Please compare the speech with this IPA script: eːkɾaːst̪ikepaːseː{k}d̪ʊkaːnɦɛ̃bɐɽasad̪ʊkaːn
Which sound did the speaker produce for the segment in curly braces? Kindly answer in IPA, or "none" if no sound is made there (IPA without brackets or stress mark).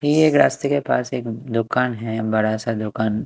k